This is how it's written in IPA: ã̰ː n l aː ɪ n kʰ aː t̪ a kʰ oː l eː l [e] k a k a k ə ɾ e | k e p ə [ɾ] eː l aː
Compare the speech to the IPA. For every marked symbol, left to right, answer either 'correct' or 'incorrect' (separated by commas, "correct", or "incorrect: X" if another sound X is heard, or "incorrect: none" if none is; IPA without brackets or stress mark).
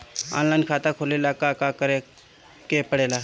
incorrect: a, incorrect: ɽ